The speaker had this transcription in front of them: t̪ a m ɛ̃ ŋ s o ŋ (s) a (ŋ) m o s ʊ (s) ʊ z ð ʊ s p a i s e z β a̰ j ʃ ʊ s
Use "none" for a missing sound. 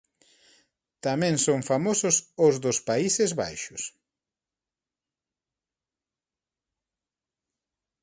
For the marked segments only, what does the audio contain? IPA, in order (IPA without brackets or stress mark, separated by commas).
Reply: f, none, s